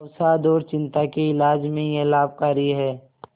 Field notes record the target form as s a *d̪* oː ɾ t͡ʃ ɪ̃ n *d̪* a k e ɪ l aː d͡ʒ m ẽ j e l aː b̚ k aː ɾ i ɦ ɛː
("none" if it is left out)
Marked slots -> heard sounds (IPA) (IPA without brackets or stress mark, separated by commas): d̪, t̪